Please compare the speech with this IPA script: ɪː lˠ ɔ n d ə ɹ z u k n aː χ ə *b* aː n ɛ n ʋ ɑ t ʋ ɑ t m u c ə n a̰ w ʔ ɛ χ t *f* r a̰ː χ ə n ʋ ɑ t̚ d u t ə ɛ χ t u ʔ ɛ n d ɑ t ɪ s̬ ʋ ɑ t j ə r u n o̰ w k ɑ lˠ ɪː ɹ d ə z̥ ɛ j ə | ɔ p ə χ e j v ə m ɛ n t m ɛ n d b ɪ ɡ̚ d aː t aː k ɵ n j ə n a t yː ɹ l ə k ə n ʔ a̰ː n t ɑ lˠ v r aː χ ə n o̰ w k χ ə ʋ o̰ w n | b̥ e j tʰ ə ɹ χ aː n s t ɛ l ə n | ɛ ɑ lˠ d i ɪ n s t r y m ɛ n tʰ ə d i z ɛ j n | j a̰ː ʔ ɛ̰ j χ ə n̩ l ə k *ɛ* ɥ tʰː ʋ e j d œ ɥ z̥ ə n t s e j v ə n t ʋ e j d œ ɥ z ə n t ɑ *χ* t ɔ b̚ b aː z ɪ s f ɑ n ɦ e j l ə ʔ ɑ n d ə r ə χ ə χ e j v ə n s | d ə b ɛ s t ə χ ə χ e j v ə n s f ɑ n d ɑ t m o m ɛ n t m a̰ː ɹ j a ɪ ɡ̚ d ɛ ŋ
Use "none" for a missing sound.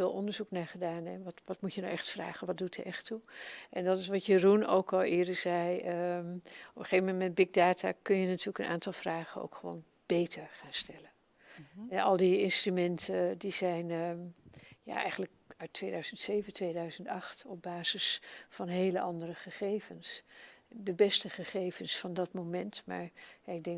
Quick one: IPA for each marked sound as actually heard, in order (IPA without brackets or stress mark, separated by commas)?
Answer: d, f, œ, χ